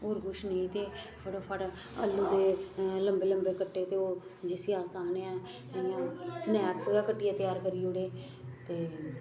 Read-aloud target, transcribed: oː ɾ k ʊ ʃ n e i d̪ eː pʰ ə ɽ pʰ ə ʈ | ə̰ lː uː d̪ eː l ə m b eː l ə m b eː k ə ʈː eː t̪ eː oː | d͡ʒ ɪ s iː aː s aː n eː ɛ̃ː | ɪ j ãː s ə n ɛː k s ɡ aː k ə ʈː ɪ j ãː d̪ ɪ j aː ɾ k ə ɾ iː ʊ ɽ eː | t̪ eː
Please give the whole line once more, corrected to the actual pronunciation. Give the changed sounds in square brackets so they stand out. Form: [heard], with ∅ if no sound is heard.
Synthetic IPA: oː ɾ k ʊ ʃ n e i [t̪] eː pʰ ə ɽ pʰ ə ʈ | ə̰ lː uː d̪ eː l ə m b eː l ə m b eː k ə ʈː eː t̪ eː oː | d͡ʒ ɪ s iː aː s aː n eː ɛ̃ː | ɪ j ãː s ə n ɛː k s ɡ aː k ə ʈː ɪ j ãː [t̪] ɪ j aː ɾ k ə ɾ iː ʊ ɽ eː | t̪ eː